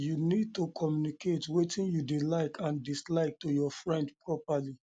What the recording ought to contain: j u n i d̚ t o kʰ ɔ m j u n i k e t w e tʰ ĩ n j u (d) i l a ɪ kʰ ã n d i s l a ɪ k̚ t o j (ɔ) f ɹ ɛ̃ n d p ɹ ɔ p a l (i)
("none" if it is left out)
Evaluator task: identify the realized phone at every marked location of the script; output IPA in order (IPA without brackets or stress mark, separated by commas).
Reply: d, ɔ, i